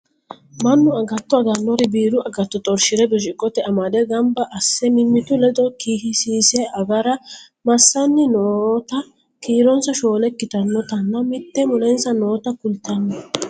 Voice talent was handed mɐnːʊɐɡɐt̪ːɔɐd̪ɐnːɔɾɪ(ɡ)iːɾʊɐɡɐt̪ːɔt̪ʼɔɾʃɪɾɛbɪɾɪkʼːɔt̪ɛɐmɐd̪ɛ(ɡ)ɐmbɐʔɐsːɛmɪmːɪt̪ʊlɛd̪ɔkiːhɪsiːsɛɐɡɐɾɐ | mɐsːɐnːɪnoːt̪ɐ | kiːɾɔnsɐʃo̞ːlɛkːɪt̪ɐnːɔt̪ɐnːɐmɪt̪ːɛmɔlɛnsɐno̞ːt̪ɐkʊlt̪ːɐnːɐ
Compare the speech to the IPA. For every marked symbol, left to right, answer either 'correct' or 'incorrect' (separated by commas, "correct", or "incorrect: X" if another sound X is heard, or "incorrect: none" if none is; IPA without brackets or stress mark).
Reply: incorrect: b, correct